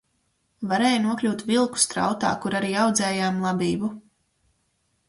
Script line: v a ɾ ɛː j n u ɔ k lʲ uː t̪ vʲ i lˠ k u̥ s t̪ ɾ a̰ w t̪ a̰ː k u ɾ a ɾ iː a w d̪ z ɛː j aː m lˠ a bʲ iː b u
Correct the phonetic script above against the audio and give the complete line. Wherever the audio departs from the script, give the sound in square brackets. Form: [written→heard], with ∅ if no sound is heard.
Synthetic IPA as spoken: v a ɾ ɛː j n u ɔ k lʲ uː t̪ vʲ i lˠ k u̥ s t̪ ɾ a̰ w t̪ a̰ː k u ɾ a ɾ iː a w d̪ z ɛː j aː m lˠ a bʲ iː b u